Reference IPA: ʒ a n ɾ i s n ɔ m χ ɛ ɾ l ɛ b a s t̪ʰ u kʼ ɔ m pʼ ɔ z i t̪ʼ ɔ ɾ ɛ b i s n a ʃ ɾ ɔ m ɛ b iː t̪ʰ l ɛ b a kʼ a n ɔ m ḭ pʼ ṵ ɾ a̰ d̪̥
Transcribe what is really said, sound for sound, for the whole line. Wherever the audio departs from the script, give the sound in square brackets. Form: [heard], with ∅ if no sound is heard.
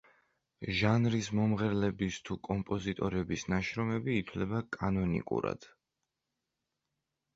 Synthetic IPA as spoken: ʒ a n ɾ i s [m] ɔ m [ʁ] ɛ ɾ l ɛ b [i] s t̪ʰ u kʼ ɔ m pʼ ɔ z i t̪ʼ ɔ ɾ ɛ b i s n a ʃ ɾ ɔ m ɛ b iː t̪ʰ l ɛ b a kʼ a n ɔ [n] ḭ [kʼ] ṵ ɾ a̰ d̪̥

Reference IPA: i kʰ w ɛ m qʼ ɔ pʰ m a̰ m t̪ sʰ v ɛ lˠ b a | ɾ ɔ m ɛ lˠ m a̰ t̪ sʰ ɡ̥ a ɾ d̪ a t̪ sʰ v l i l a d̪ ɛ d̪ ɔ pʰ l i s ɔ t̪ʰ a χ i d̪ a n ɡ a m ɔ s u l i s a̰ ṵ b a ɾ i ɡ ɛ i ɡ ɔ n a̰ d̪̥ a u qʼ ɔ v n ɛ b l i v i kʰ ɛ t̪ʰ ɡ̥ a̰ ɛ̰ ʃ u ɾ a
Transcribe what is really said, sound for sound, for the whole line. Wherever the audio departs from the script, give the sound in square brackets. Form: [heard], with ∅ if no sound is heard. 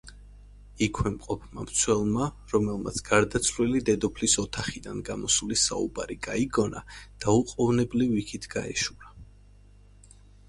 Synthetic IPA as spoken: i kʰ w ɛ m qʼ ɔ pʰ m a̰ m t̪ sʰ [w] ɛ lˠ [m] a | ɾ ɔ m ɛ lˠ m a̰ t̪ sʰ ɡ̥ a ɾ d̪ a t̪ sʰ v l i l [i] d̪ ɛ d̪ ɔ pʰ l i s ɔ t̪ʰ a χ i d̪ a n ɡ a m ɔ s u l i s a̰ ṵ b a ɾ i ɡ [a] i ɡ ɔ n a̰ d̪̥ a u qʼ ɔ v n ɛ b l i v i kʰ [i] t̪ʰ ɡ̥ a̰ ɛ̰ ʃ u ɾ a

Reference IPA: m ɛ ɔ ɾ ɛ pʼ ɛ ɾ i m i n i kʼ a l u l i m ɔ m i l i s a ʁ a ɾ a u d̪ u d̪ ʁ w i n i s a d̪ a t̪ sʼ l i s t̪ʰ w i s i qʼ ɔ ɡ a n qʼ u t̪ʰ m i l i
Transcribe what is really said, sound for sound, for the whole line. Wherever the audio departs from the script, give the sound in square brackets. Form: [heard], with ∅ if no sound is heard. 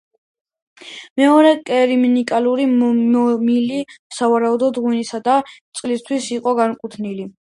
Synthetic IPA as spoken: m ɛ ɔ ɾ ɛ [kʼ] ɛ ɾ i m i n i kʼ a l u [ɾ] i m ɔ m i l i s a [v] a ɾ a u d̪ [ɔ] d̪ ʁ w i n i s a d̪ a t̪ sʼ l i s t̪ʰ w i s i qʼ ɔ ɡ a n [kʼ] u t̪ʰ [n] i l i

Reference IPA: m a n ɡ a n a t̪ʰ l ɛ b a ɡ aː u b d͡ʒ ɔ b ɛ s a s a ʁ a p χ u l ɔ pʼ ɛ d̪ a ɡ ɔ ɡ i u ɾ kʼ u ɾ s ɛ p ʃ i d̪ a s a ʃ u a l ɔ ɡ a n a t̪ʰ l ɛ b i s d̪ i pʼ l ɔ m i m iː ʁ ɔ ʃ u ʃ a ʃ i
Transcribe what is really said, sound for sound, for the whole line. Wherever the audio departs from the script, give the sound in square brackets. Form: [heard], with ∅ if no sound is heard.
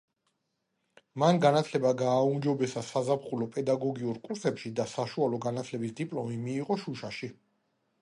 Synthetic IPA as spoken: m a n ɡ a n a t̪ʰ l ɛ b a ɡ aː u [m] d͡ʒ ɔ b ɛ s a s a [z] a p χ u l ɔ pʼ ɛ d̪ a ɡ ɔ ɡ i u ɾ kʼ u ɾ s ɛ p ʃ i d̪ a s a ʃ u a l ɔ ɡ a n a t̪ʰ l ɛ b i s d̪ i pʼ l ɔ m i m iː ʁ ɔ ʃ u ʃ a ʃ i

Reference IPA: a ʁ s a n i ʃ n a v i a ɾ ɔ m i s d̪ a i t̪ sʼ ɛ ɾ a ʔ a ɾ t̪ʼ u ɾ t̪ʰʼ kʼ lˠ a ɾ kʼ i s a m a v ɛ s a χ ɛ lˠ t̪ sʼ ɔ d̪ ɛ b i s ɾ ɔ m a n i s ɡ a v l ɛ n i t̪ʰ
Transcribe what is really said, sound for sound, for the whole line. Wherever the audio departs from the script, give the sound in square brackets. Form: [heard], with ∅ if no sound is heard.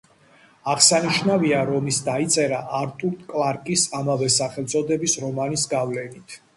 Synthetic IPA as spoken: a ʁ s a n i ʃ n a v i a ɾ ɔ m i s d̪ a i t̪ sʼ ɛ ɾ a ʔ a ɾ t̪ʼ u ɾ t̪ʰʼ kʼ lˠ a ɾ kʼ i s a m a v ɛ s a χ ɛ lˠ t̪ sʼ ɔ d̪ ɛ b i s ɾ ɔ m a n i s ɡ a v l ɛ n i t̪ʰ

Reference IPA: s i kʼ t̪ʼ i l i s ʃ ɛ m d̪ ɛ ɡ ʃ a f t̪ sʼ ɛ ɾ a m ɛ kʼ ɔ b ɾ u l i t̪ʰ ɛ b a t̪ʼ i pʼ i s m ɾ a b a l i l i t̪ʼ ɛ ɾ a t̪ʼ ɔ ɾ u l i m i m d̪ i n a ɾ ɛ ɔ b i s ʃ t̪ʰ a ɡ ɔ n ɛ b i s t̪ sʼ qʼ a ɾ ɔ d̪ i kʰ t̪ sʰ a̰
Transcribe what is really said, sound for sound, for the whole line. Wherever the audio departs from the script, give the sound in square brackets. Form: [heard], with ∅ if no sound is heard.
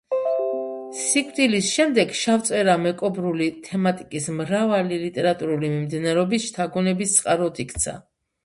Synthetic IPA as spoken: s i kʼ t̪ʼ i l i s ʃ ɛ m d̪ ɛ ɡ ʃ a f t̪ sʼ ɛ ɾ a m ɛ kʼ ɔ b ɾ u l i t̪ʰ ɛ [m] a t̪ʼ i [kʼ] i s m ɾ a [v] a l i l i t̪ʼ ɛ ɾ a t̪ʼ [u] ɾ u l i m i m d̪ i n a ɾ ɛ ɔ b i s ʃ t̪ʰ a ɡ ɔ n ɛ b i s t̪ sʼ qʼ a ɾ ɔ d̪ i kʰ t̪ sʰ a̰

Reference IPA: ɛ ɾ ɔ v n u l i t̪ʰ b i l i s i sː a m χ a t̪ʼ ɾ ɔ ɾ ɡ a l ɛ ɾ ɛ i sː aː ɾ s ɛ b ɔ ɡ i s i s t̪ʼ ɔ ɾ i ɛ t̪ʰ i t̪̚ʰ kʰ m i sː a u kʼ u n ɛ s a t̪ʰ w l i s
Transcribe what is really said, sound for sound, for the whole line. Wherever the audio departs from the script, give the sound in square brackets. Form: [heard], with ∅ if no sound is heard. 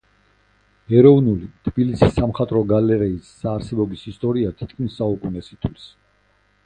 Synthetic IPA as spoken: ɛ ɾ ɔ v n u l i t̪ʰ b i l i s i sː a m χ a t̪ʼ ɾ ɔ [∅] ɡ a l ɛ ɾ ɛ i sː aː ɾ s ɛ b ɔ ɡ i s i s t̪ʼ ɔ ɾ i [a] t̪ʰ i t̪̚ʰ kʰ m i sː a u kʼ u n ɛ s [i] t̪ʰ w l i s

